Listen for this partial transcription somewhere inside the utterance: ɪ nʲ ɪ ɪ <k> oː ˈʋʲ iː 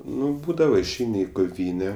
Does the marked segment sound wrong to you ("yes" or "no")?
no